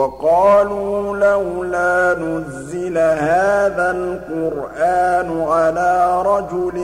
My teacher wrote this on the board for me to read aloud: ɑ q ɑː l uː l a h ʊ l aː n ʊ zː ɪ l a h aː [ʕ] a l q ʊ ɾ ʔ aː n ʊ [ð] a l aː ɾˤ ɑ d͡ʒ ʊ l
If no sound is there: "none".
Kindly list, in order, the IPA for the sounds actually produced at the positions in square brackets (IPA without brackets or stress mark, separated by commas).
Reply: ð, ʕ